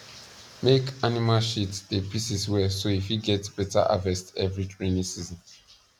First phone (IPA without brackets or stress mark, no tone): m